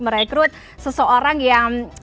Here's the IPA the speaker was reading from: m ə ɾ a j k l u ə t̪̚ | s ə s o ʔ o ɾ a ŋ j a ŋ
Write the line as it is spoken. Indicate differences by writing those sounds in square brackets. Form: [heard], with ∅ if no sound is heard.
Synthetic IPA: m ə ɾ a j k [ɾ] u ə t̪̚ | s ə s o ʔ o ɾ a ŋ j a ŋ